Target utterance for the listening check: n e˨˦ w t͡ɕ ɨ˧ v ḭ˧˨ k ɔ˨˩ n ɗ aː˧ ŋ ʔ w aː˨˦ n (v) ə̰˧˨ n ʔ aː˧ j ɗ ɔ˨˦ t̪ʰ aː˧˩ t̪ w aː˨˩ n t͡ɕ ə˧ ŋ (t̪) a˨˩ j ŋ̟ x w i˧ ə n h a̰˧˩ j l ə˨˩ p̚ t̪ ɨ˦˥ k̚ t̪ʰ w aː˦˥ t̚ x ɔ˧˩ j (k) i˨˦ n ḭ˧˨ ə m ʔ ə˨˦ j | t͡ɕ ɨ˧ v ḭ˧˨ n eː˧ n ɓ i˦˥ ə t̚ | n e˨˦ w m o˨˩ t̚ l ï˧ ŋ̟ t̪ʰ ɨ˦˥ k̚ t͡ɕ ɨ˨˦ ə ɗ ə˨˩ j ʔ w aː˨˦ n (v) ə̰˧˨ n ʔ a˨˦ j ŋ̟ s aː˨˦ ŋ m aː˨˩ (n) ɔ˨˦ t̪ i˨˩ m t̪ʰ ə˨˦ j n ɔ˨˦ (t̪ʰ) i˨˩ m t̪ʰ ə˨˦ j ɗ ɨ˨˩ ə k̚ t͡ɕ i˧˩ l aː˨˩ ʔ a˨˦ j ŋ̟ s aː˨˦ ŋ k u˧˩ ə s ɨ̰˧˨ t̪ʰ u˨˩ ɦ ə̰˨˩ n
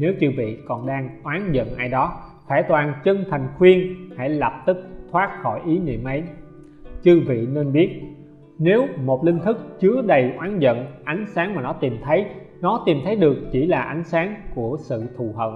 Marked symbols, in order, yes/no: no, no, no, no, yes, no

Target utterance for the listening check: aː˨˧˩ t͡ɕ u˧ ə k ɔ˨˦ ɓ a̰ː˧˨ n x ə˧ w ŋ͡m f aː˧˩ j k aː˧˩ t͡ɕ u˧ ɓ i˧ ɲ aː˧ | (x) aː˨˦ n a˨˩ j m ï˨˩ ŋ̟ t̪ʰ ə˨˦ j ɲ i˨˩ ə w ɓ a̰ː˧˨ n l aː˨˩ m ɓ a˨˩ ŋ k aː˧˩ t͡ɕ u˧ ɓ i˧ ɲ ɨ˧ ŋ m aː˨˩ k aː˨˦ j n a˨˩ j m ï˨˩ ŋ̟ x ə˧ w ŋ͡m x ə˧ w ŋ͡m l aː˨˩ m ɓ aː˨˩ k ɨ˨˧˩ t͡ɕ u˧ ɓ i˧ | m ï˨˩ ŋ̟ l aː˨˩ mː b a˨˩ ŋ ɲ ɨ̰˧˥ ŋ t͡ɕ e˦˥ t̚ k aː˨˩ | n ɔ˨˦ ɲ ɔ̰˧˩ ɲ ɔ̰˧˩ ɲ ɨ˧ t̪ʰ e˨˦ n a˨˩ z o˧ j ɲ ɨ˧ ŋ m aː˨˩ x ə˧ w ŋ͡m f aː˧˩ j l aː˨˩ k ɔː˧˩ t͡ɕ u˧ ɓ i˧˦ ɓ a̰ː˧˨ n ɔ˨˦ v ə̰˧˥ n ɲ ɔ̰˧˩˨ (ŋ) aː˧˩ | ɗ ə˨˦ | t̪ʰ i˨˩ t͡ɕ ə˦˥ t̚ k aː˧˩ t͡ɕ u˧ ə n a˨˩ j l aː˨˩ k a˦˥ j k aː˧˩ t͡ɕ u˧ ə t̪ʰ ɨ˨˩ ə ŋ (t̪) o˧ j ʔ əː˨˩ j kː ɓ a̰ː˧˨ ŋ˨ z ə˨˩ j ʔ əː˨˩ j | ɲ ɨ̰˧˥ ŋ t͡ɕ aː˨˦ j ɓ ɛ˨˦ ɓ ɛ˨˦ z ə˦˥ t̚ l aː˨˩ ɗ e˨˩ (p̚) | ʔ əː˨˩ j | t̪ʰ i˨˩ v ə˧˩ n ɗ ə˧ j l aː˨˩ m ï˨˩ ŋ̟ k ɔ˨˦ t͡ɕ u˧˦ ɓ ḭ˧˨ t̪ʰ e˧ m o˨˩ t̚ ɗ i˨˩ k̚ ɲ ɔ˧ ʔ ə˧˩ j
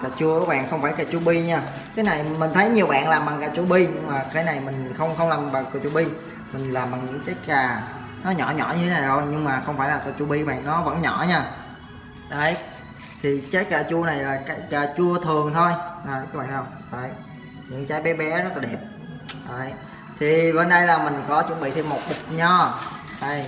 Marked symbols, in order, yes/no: no, no, no, yes

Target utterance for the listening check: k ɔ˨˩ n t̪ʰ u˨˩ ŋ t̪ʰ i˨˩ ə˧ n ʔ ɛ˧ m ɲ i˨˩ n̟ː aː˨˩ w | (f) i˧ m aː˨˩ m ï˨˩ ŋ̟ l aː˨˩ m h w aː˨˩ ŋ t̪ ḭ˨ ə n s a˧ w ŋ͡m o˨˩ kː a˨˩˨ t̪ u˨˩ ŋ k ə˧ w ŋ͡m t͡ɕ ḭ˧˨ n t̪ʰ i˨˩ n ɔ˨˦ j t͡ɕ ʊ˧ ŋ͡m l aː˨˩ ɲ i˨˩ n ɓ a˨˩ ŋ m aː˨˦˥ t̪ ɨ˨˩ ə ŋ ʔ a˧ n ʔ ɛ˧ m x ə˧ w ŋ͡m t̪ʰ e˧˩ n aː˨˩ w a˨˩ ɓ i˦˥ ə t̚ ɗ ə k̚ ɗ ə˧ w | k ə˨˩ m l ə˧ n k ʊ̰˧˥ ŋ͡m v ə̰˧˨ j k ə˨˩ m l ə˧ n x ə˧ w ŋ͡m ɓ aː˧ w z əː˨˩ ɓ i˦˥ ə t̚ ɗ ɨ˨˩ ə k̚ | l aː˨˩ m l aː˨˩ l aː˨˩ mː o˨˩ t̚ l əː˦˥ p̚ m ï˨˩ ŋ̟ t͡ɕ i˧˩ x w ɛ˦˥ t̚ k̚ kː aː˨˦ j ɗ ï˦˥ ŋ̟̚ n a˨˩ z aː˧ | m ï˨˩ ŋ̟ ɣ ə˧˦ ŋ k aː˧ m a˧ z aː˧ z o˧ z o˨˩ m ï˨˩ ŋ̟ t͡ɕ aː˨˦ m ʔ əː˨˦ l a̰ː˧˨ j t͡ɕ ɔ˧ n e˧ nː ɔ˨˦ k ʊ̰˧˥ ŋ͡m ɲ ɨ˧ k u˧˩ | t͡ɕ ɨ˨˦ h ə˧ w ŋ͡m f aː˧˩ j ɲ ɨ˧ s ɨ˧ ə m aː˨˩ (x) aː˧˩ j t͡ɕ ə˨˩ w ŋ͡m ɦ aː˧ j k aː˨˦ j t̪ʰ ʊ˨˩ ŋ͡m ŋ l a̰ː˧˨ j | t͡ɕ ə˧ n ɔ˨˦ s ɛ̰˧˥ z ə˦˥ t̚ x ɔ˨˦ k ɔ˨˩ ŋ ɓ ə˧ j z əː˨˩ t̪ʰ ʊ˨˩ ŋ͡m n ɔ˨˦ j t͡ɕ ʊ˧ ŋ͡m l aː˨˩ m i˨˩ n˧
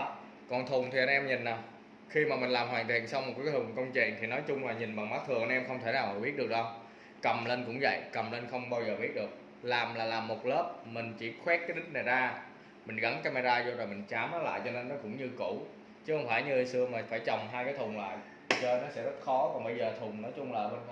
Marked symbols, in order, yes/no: no, no

